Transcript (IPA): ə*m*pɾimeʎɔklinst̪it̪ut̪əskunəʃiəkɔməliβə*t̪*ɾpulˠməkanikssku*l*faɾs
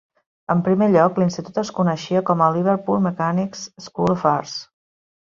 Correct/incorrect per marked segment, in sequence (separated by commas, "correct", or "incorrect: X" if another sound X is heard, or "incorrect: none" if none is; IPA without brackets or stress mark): correct, incorrect: none, correct